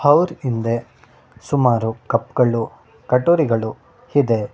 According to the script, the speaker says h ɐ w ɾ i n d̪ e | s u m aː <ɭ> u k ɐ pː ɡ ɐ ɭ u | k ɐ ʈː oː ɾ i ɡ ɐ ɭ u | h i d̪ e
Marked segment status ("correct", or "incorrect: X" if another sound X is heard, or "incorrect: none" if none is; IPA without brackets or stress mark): incorrect: ɾ